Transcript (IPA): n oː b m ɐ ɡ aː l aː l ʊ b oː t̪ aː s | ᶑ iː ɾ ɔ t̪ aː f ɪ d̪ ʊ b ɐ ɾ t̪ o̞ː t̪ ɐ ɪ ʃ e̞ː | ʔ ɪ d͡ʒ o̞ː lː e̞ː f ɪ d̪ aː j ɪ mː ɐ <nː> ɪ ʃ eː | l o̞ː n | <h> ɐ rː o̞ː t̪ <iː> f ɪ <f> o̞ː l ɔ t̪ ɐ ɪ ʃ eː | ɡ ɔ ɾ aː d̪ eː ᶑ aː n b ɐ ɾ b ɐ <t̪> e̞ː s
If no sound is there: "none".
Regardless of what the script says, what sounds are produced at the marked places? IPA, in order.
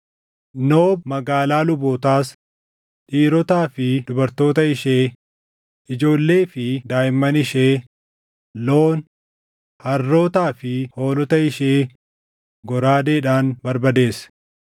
n, h, aː, h, d̪

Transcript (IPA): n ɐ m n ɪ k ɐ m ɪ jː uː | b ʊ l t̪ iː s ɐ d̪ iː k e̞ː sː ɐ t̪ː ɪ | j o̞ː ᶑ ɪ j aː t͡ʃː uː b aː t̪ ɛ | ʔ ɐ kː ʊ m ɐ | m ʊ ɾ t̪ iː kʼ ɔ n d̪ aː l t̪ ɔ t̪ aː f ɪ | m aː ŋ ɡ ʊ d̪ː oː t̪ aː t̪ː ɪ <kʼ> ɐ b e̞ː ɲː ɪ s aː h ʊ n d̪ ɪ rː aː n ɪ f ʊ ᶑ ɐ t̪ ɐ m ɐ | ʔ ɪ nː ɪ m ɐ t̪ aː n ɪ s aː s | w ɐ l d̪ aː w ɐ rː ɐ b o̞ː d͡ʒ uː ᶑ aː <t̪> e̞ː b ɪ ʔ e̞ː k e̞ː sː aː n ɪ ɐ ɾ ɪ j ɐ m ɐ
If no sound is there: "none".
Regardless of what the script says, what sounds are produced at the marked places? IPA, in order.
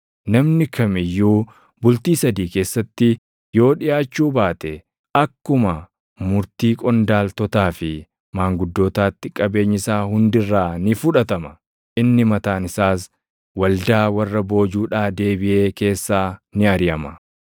kʼ, d̪

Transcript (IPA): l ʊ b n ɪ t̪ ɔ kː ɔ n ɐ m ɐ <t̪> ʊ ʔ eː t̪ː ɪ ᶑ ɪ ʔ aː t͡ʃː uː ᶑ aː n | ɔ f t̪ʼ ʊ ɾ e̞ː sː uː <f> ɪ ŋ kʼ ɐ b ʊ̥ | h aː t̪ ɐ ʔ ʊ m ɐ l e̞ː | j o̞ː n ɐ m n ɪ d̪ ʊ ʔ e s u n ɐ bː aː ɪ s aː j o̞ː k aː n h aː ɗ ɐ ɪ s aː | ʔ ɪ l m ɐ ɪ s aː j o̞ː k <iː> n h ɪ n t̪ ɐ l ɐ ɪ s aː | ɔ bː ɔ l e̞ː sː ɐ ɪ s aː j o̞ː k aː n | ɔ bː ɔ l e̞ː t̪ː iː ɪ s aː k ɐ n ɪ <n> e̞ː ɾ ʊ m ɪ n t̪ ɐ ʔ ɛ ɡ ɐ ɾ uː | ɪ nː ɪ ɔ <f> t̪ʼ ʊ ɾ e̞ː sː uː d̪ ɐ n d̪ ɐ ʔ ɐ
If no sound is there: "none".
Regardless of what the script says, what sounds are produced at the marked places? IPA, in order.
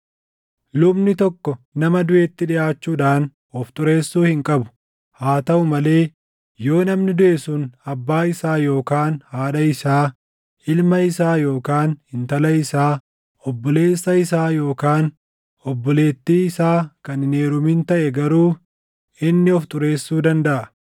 d̪, h, aː, n, f

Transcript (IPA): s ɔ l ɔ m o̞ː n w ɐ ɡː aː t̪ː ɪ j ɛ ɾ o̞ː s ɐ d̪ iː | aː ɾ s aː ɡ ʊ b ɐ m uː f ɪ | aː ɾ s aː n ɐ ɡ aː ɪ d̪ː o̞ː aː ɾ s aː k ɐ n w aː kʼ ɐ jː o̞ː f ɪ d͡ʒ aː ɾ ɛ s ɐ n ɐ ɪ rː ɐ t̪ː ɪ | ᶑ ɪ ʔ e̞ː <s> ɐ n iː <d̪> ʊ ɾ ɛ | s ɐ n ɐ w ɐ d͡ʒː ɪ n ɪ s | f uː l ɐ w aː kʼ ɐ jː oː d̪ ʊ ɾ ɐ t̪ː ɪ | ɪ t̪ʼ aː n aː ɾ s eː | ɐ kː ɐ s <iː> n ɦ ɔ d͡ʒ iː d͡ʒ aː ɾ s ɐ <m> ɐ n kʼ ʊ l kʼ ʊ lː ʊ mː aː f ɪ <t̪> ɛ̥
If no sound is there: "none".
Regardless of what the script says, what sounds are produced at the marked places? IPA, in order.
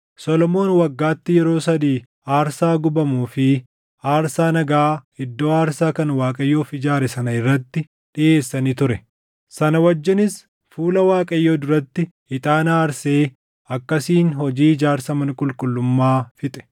sː, t̪, iː, m, t̪ʼ

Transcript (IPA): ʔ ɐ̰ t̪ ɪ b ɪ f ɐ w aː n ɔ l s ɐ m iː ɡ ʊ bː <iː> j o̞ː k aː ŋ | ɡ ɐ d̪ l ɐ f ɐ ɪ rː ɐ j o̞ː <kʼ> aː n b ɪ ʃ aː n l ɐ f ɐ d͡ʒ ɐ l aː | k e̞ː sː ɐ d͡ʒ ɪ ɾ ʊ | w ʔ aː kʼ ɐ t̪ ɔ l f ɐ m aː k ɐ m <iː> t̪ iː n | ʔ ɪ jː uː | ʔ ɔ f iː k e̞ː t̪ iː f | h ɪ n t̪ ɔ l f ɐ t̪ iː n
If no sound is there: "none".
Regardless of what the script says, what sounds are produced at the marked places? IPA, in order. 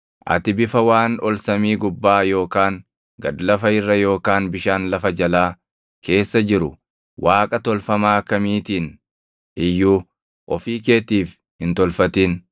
aː, k, iː

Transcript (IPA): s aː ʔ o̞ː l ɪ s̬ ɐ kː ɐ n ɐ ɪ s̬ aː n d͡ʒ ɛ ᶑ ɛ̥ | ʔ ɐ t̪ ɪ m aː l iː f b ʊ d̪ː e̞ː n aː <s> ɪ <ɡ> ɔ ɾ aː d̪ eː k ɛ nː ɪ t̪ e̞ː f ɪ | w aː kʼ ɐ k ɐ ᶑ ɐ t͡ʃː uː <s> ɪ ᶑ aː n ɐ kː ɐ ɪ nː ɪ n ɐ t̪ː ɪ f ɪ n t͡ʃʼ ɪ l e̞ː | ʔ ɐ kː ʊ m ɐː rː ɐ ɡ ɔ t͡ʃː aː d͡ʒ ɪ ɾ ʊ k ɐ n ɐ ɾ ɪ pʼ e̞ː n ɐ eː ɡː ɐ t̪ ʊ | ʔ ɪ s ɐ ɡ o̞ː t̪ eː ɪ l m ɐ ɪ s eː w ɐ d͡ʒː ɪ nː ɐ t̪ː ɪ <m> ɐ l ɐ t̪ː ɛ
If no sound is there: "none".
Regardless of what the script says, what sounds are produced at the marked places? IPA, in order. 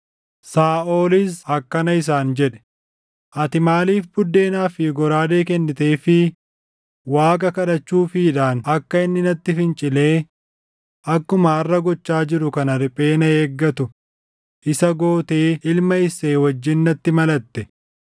f, ɡ, f, m

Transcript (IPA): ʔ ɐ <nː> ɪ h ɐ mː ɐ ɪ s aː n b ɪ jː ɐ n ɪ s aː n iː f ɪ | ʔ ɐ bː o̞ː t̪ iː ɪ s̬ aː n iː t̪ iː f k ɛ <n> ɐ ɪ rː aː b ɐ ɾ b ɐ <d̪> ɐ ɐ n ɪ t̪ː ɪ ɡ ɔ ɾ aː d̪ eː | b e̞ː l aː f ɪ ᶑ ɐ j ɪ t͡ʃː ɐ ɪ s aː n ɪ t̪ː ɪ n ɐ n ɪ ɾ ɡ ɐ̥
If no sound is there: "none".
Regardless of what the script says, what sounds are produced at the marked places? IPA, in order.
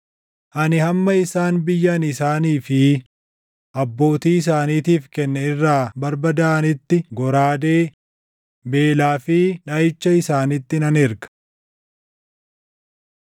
n, nː, d̪

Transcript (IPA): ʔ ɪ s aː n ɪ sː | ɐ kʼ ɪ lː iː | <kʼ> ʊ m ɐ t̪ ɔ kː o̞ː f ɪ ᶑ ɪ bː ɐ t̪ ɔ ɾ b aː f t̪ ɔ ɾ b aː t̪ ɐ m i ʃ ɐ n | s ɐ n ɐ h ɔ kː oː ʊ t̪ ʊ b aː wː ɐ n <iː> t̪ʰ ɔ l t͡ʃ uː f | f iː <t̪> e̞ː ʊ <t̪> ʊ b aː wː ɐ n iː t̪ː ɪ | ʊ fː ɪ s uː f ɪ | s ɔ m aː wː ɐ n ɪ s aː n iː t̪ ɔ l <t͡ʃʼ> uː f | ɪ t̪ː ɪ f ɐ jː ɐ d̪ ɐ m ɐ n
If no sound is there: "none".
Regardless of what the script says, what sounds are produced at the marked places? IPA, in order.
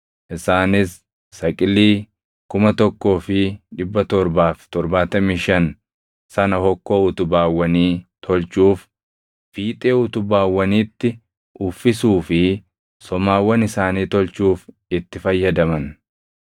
k, iː, t̪ʼ, t̪, t͡ʃ

